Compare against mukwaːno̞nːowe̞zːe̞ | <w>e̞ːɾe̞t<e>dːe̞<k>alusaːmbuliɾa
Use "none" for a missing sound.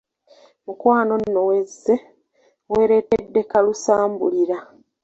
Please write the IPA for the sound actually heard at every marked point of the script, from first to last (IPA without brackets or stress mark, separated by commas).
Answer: w, e, k